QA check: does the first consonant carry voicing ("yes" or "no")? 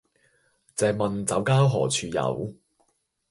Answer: no